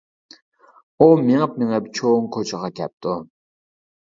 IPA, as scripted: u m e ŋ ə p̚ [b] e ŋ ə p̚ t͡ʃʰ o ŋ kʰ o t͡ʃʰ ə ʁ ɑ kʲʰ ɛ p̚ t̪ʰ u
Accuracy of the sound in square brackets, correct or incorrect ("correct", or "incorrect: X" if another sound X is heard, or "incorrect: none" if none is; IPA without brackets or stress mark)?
incorrect: m